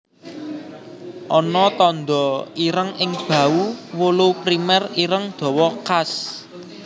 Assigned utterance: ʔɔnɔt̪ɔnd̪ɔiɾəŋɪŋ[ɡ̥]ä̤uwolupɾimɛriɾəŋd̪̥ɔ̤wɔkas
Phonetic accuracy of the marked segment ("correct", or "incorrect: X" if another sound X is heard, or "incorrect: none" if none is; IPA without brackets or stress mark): incorrect: b̥